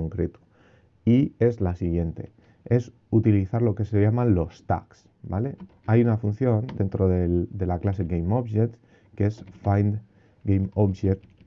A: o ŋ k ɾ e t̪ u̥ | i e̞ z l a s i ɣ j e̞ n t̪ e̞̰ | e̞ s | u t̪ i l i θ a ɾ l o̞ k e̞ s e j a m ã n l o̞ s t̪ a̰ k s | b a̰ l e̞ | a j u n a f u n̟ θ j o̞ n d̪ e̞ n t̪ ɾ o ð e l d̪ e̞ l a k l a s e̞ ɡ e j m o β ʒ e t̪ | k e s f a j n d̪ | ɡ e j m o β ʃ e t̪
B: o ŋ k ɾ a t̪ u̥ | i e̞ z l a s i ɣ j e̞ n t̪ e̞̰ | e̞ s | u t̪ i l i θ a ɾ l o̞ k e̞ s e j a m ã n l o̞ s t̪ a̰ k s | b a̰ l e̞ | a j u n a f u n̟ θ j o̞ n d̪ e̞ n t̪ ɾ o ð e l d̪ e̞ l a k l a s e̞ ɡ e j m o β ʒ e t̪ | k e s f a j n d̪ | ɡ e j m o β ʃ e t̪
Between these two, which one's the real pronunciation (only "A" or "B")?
A